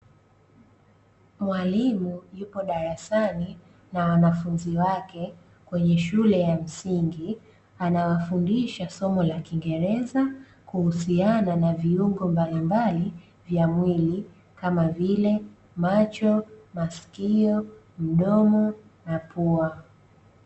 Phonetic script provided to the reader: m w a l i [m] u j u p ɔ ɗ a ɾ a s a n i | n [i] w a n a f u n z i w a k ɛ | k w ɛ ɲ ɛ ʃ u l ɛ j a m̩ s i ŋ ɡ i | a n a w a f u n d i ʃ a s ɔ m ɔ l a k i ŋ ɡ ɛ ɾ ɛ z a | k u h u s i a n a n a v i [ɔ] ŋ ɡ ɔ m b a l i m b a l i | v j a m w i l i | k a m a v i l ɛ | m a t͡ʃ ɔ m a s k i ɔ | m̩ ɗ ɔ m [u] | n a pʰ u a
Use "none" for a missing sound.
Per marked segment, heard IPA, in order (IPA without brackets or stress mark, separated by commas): m, a, u, ɔ